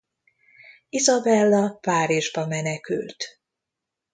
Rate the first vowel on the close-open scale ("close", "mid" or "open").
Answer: close